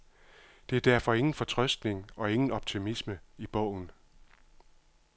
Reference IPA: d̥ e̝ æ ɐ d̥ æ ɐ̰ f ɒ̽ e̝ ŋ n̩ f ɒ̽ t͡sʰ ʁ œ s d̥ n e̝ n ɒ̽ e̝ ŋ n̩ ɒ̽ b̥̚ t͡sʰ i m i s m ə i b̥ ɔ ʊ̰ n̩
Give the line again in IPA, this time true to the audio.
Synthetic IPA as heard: d̥ e̝ æ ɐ d̥ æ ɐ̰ f ɒ̽ e̝ ŋ n̩ f ɒ̽ t͡sʰ ʁ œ s d̥ n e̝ ŋ ɒ̽ e̝ ŋ n̩ ɒ̽ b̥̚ t͡sʰ i m i s m ə i b̥ ɔ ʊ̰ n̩